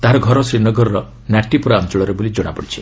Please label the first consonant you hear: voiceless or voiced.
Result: voiceless